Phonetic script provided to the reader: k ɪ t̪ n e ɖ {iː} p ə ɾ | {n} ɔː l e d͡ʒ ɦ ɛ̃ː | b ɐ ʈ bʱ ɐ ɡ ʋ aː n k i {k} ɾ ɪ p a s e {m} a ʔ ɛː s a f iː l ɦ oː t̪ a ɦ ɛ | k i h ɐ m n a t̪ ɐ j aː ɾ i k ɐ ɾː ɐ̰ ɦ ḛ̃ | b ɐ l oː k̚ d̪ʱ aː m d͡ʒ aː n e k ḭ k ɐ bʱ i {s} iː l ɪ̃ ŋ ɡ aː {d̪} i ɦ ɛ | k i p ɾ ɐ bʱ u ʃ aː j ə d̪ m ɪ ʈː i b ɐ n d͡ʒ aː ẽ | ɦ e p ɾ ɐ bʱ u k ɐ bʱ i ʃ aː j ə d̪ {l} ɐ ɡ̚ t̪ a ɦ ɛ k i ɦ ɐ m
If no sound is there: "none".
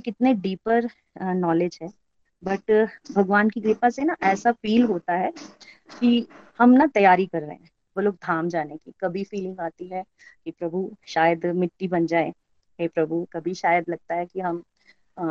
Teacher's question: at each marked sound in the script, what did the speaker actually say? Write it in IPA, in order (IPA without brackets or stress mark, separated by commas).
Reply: iː, n, ɡ, n, f, t̪, l